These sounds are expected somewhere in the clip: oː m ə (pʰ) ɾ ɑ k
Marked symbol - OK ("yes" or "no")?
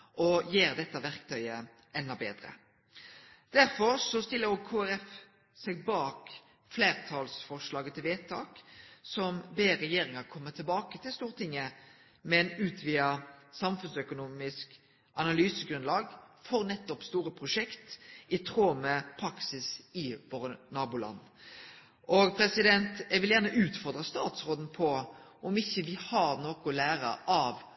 yes